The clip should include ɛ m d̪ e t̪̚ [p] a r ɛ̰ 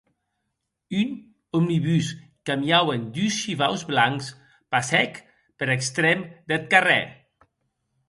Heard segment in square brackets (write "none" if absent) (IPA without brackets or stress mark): k